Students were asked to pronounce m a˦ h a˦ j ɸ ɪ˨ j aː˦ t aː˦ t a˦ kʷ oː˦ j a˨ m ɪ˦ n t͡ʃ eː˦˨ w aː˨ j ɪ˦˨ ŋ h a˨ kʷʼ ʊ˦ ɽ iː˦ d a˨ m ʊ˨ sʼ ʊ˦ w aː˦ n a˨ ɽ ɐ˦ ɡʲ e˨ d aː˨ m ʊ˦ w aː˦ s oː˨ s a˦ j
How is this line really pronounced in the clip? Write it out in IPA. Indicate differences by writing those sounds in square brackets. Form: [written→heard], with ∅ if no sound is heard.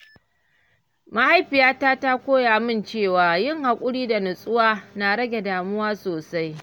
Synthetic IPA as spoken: m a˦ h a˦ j ɸ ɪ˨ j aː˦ t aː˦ t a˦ kʷ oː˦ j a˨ m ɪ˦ n t͡ʃ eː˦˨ w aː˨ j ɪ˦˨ ŋ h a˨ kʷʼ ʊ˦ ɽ iː˦ d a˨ [m→n] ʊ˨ sʼ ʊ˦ w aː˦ n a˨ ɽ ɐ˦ ɡʲ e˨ d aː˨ m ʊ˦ w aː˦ s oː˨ s a˦ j